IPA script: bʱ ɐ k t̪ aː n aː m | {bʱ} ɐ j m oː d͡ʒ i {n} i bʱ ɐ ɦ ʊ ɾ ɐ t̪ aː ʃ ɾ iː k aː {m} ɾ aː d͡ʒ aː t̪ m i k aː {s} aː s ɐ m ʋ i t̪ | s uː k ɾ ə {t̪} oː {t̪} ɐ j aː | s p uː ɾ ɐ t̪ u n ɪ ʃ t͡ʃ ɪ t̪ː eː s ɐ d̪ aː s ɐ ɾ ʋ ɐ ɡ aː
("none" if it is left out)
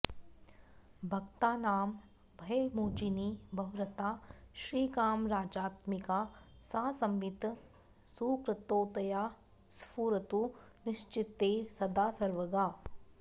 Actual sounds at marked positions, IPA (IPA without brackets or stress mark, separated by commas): bʱ, n, m, s, t̪, t̪